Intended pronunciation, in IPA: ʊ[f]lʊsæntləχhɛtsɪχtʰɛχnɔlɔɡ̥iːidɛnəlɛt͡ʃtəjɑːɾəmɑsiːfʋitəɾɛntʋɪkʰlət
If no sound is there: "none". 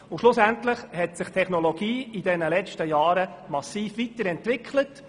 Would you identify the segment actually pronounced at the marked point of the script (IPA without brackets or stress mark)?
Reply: ʃ